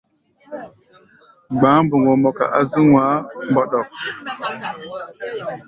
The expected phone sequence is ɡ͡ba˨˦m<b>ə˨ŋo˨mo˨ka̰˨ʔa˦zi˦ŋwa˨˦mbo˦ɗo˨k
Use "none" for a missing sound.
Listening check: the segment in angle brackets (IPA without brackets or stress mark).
b